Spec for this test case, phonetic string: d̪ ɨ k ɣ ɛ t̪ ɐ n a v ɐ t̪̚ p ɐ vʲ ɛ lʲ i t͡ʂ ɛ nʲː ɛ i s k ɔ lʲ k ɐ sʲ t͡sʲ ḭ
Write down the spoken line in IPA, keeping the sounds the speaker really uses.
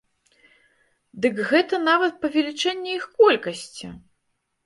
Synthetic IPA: d̪ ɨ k ɣ ɛ t̪ ɐ n a v ɐ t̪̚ p ɐ vʲ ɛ lʲ i t͡ʂ ɛ nʲː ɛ i x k ɔ lʲ k ɐ sʲ t͡sʲ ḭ